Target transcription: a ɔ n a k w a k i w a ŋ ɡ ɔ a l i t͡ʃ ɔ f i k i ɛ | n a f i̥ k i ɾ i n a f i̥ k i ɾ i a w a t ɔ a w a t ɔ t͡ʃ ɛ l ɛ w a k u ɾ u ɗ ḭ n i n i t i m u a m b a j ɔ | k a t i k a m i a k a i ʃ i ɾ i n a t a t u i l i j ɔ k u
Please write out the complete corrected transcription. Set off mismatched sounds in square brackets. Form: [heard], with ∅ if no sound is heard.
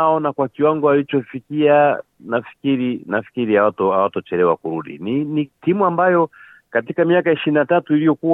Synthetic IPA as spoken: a ɔ n a k w a k i w a ŋ ɡ ɔ a l i t͡ʃ ɔ f i k i [a] | n a f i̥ k i ɾ i n a f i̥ k i ɾ i a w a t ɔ a w a t ɔ t͡ʃ ɛ l ɛ w a k u ɾ u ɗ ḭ n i n i t i m u a m b a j ɔ | k a t i k a m i a k a i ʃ i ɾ i n a t a t u i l i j ɔ k u